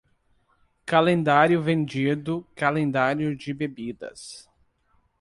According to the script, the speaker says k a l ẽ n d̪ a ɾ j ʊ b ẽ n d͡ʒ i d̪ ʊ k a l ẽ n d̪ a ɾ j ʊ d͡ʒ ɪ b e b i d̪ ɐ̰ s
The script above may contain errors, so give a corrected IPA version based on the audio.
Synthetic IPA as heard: k a l ẽ n d̪ a ɾ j ʊ v ẽ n d͡ʒ i d̪ ʊ k a l ẽ n d̪ a ɾ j ʊ d͡ʒ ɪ b e b i d̪ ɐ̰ s